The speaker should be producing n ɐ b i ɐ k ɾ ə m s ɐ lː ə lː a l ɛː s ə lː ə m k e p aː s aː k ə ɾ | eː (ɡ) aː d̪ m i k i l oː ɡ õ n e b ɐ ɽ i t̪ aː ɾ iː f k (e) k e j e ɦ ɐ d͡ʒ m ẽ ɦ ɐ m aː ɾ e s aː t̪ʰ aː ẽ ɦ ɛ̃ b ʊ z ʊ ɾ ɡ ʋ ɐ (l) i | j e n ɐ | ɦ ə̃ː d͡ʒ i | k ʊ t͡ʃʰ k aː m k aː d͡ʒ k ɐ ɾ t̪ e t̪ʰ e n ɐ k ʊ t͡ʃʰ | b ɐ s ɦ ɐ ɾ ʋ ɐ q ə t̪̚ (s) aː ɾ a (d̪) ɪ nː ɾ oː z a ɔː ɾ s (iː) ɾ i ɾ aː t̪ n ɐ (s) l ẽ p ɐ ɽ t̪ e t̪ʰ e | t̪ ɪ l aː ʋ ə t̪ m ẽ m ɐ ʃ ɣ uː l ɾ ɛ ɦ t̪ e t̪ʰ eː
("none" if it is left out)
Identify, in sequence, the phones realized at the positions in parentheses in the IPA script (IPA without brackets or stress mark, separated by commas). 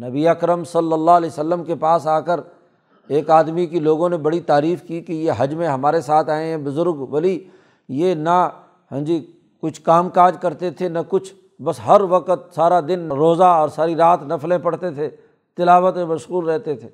k, i, l, s, d̪, aː, f